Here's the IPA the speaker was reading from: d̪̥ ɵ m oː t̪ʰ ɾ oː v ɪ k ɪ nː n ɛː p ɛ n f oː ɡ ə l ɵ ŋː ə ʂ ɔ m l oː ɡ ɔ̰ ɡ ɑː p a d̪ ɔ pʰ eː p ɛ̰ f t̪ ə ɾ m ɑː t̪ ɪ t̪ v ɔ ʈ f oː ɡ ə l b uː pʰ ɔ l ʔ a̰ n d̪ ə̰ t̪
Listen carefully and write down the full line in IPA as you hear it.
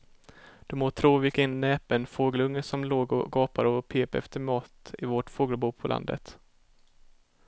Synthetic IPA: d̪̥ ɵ m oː t̪ʰ ɾ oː v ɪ k ɪ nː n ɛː p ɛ n f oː ɡ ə l ɵ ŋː ə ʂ ɔ m l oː ɡ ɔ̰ ɡ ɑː p a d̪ ɔ pʰ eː p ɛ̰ f t̪ ə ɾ m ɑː t̪ ɪ v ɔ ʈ f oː ɡ ə l b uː pʰ ɔ l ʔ a̰ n d̪ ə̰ t̪